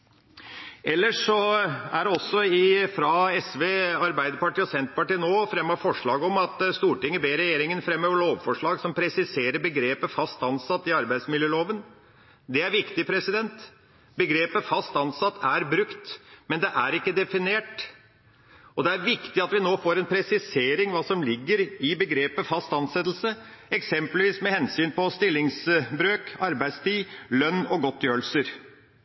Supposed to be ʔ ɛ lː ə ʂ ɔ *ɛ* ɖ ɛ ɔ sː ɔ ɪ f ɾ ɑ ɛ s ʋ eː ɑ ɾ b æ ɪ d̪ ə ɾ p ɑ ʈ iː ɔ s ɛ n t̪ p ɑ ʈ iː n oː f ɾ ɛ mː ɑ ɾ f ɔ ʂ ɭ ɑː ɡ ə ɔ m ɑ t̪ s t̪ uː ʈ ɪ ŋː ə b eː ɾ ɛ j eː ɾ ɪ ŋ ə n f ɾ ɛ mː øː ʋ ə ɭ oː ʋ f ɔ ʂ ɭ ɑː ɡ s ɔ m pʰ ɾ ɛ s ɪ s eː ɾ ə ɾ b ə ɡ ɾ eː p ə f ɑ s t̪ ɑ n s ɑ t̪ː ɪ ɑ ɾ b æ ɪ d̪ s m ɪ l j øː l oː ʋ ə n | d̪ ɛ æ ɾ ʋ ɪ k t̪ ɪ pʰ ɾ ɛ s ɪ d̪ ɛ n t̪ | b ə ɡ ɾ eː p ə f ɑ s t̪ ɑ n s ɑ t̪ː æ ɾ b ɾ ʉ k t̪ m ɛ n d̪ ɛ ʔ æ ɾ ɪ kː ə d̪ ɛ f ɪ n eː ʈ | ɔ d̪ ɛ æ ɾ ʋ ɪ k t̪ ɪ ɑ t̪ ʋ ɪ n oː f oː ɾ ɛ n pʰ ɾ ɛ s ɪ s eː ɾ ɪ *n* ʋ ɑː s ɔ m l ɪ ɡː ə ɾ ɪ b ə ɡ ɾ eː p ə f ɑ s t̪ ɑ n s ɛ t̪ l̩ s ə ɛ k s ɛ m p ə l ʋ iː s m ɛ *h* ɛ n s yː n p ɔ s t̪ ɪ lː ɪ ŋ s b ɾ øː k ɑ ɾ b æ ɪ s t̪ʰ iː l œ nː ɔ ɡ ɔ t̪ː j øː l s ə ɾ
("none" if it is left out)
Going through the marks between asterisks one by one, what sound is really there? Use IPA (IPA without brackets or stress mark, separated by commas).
æ, ŋ, h